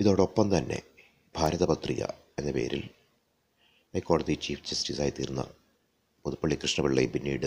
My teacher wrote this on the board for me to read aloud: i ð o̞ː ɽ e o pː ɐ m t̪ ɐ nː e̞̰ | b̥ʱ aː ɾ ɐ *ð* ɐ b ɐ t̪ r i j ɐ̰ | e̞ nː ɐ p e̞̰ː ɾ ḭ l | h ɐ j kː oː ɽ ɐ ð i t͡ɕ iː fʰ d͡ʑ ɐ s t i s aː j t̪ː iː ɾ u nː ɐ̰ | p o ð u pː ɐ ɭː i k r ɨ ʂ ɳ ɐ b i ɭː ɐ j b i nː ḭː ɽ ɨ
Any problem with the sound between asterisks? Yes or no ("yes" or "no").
no